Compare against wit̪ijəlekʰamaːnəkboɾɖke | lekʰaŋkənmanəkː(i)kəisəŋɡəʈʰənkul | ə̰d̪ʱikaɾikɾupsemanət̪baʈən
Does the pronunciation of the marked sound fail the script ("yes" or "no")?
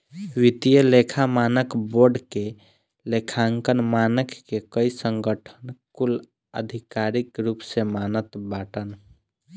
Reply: yes